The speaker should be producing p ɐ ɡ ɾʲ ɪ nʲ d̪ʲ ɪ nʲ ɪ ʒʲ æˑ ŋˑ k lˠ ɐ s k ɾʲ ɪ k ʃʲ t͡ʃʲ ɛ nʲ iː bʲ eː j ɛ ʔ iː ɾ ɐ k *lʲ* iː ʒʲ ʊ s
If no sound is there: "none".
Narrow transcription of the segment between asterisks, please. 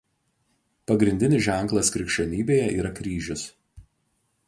ɾʲ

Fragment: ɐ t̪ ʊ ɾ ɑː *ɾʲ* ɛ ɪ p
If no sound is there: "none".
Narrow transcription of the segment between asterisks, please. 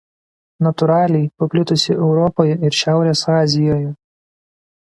lʲ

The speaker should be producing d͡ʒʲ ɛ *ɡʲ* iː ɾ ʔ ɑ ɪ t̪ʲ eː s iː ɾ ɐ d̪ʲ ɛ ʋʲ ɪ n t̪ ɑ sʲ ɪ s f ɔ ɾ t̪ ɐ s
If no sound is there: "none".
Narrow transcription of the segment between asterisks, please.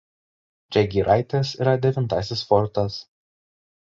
ɡʲ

